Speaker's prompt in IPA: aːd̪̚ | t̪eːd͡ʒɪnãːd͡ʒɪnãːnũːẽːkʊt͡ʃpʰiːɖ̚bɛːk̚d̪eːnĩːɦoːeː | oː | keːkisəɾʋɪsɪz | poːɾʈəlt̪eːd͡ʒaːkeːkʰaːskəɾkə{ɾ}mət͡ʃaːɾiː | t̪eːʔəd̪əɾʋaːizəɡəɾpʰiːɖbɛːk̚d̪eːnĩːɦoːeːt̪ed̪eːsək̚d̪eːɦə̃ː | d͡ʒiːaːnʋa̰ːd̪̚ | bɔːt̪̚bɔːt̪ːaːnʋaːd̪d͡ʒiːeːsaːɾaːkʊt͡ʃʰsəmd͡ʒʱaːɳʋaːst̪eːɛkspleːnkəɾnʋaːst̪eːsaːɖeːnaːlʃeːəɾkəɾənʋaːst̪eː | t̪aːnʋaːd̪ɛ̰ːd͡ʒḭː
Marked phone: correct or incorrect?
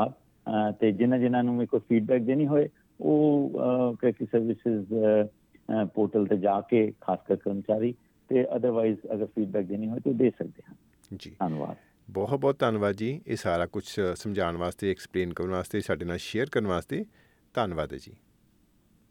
correct